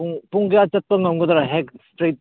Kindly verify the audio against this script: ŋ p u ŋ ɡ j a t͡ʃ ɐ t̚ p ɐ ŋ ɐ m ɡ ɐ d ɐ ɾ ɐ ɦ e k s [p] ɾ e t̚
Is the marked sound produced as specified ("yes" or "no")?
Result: no